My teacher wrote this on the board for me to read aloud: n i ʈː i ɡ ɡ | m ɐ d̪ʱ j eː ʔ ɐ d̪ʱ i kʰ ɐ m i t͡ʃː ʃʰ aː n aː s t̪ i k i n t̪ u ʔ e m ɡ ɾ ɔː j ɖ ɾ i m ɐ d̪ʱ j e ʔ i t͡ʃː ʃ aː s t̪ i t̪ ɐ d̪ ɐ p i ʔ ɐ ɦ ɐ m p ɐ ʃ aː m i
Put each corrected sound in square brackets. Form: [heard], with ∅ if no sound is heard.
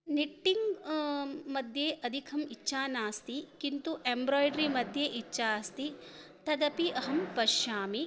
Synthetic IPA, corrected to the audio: n i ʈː i [ŋ] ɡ | m ɐ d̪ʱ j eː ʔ ɐ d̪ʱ i kʰ ɐ m i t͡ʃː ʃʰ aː n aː s t̪ i k i n t̪ u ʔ e m [b] ɾ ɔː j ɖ ɾ i m ɐ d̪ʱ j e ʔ i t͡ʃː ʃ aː s t̪ i t̪ ɐ d̪ ɐ p i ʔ ɐ ɦ ɐ m p ɐ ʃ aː m i